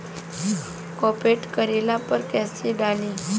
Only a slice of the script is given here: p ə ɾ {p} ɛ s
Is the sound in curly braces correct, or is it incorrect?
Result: incorrect